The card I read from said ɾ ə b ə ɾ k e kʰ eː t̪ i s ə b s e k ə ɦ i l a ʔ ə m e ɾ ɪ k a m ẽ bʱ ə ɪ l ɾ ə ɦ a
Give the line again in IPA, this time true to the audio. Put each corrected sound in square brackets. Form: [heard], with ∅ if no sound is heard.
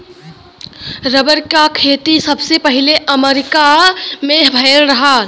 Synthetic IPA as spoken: ɾ ə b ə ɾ k [a] kʰ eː t̪ i s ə b s e [p] ə ɦ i l [e] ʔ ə m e ɾ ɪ k a m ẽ bʱ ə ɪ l ɾ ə ɦ a